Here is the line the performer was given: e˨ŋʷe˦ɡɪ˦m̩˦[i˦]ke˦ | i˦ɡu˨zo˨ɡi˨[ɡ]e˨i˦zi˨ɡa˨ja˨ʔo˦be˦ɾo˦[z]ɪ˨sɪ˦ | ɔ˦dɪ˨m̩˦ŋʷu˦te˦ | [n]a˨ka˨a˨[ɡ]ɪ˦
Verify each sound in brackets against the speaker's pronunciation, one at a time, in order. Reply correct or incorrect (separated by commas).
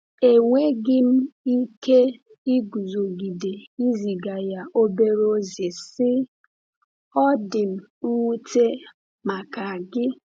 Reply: correct, incorrect, correct, incorrect, correct